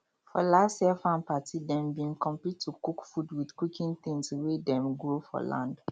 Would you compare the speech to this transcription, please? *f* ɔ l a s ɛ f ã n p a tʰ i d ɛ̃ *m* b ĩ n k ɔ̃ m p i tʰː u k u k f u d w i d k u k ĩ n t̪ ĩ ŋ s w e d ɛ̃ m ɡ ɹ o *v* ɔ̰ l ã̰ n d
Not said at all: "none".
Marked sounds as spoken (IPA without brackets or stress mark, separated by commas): f, m, f